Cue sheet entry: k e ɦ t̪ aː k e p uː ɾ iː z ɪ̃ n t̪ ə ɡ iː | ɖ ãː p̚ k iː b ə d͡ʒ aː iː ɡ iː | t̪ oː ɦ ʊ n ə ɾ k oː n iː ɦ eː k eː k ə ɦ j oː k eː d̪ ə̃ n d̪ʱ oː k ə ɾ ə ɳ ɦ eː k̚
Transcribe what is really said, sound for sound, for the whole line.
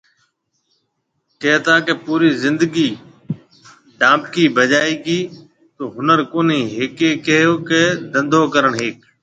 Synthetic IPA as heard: k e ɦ t̪ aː k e p uː ɾ iː z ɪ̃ n d̪ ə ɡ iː | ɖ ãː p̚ k iː b ə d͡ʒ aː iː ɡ iː | t̪ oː ɦ ʊ n ə ɾ k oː n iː ɦ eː k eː k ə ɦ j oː k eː d̪ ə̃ n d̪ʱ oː k ə ɾ ə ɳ ɦ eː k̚